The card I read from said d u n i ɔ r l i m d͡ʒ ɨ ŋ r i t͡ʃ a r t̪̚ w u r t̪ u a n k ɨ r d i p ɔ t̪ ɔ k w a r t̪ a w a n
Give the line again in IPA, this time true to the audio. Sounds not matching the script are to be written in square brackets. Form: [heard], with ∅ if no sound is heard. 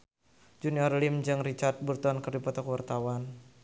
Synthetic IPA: [d͡ʒ] u n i ɔ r l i m d͡ʒ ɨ ŋ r i t͡ʃ a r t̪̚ [b] u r t̪ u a n k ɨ r d i p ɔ t̪ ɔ k w a r t̪ a w a n